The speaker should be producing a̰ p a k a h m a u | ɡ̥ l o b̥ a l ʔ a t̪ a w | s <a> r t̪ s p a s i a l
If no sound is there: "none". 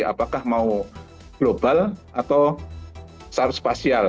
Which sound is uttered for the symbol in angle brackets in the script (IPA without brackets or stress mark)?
a